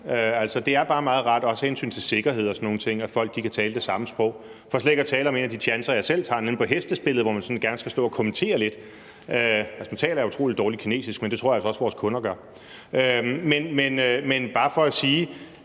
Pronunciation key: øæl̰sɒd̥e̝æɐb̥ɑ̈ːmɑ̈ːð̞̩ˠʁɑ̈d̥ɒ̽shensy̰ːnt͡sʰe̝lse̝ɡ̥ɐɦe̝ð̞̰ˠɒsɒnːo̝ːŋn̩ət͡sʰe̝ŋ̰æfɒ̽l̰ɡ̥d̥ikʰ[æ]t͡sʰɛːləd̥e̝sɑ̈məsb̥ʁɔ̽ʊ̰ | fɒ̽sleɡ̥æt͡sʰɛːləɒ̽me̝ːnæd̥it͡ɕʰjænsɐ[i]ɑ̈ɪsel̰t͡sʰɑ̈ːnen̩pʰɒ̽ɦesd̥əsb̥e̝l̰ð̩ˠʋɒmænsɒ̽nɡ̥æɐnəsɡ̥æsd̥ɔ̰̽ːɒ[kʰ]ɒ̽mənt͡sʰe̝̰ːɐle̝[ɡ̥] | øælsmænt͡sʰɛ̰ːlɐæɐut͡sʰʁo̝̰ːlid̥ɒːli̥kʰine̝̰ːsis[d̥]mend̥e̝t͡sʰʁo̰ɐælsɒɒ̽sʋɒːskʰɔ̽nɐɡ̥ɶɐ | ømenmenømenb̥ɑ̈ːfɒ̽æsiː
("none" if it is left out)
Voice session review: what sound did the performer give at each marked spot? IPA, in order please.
æ, j, kʰ, d̥, ɡ̥

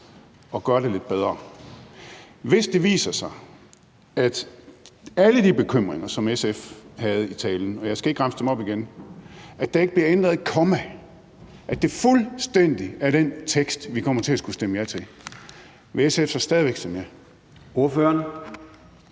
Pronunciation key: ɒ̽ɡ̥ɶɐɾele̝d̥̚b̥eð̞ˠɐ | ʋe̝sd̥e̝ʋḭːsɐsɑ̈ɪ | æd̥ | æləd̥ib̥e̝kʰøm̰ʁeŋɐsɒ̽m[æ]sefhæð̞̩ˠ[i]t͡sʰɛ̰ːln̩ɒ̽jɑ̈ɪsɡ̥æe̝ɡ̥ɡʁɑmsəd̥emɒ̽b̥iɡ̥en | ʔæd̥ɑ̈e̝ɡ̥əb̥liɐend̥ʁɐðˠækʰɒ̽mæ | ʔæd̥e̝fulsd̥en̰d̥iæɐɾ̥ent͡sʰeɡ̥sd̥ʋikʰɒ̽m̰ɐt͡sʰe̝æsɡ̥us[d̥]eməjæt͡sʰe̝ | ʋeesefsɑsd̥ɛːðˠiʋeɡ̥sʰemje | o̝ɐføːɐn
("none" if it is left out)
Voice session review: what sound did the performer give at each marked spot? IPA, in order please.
e, i, d̥

